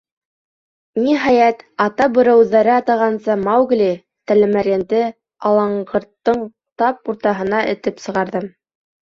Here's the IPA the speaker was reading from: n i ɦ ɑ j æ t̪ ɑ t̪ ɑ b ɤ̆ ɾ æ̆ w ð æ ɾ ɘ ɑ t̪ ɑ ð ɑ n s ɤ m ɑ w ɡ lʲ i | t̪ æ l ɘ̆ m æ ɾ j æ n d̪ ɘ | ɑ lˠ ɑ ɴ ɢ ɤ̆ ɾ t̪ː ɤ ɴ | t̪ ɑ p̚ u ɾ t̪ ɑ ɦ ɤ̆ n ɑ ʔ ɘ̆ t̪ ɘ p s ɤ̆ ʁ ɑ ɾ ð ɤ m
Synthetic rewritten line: n i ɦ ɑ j æ t̪ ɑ t̪ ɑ b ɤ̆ ɾ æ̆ w ð æ ɾ ɘ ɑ t̪ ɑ ʁ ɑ n s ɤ m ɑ w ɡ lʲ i | t̪ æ l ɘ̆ m æ ɾ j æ n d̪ ɘ | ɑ lˠ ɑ ɴ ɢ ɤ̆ ɾ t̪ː ɤ ɴ | t̪ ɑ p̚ u ɾ t̪ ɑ ɦ ɤ̆ n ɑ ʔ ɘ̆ t̪ ɘ p s ɤ̆ ʁ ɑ ɾ ð ɤ m